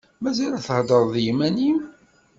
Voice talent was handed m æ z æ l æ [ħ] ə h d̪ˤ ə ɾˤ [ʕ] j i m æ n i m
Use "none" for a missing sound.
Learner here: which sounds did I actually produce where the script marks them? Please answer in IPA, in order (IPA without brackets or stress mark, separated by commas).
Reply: θ, ð